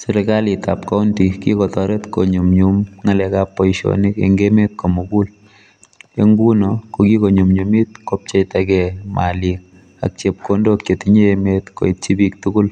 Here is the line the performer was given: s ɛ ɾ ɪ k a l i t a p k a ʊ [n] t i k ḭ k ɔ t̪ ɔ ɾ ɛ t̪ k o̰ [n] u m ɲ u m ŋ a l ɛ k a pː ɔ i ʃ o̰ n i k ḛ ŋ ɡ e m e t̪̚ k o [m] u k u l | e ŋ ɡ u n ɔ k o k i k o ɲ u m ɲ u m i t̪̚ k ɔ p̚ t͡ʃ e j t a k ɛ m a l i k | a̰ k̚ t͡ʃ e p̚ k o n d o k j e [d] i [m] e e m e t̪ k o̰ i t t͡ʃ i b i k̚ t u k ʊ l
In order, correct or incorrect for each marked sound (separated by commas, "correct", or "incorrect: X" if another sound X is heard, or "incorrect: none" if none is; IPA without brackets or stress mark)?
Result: correct, incorrect: ɲ, correct, incorrect: t, incorrect: ɲ